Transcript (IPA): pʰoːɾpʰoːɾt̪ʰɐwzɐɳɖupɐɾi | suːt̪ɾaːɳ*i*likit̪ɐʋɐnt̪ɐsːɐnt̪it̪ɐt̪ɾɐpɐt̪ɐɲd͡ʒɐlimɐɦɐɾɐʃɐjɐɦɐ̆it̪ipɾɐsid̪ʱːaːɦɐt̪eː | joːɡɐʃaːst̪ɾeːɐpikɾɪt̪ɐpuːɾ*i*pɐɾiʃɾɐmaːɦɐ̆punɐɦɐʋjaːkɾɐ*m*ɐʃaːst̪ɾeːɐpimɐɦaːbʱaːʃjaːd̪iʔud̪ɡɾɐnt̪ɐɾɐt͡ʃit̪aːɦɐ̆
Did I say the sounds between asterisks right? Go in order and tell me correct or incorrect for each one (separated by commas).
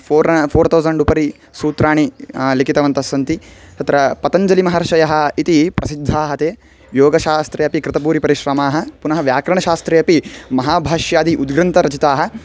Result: correct, correct, incorrect